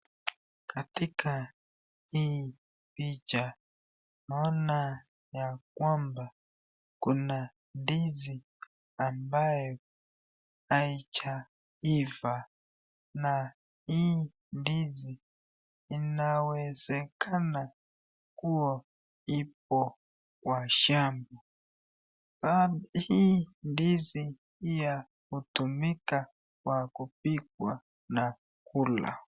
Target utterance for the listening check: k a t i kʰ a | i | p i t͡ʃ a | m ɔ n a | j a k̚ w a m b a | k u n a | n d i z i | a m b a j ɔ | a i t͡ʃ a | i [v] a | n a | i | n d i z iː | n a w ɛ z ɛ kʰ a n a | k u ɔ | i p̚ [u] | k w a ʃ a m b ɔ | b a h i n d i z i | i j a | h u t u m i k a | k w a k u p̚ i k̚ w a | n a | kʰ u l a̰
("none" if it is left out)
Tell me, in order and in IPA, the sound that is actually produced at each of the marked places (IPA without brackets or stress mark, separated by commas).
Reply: v, ɔ